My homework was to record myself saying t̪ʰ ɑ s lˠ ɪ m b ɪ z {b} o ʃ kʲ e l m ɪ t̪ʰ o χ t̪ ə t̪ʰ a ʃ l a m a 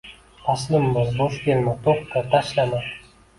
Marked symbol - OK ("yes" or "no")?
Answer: yes